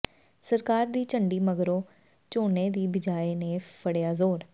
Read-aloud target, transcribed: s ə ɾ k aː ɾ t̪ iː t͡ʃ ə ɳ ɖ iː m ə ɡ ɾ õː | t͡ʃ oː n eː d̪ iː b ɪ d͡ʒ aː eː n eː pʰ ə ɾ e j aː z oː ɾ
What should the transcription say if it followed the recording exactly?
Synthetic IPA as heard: s ə ɾ k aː ɾ d̪ iː t͡ʃ ə ɳ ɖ iː m ə ɡ ɾ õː | t͡ʃ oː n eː d̪ iː b ɪ d͡ʒ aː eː n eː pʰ ə ɽ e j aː z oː ɾ